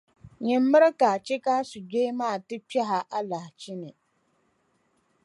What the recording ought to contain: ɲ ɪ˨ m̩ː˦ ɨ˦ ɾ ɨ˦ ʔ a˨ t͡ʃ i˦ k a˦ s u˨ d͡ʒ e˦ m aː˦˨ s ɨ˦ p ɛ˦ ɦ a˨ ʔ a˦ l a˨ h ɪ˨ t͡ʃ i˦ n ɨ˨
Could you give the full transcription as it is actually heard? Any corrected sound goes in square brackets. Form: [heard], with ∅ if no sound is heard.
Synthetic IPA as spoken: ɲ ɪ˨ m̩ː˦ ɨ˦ ɾ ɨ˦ [k] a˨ t͡ʃ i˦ k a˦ s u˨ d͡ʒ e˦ m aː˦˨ [t] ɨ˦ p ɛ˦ ɦ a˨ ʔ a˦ l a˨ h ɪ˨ t͡ʃ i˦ n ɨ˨